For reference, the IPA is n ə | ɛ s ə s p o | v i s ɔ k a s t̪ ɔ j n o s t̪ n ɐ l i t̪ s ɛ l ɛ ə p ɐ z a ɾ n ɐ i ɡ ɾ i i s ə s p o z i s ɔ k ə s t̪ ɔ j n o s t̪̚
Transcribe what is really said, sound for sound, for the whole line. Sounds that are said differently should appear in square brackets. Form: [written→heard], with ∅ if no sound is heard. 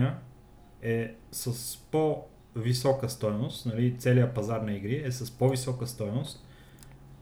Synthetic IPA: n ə | ɛ s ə s p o | v i s ɔ k [a→ə] s t̪ ɔ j n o s t̪ n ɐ l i t̪ s ɛ l [ɛ→i] ə p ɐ z a ɾ n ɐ i ɡ ɾ i [i→ɛ] s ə s p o [z→v] i s ɔ k ə s t̪ ɔ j n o s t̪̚